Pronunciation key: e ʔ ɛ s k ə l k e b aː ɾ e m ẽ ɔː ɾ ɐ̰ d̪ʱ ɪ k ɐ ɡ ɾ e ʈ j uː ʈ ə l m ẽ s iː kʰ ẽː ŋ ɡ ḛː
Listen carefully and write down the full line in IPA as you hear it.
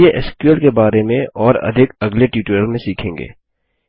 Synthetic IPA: e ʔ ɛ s k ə l k e b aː ɾ e m ẽ ɔː ɾ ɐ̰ d̪ʱ ɪ k ɐ ɡ l e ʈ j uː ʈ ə l m ẽ s iː kʰ ẽː ŋ ɡ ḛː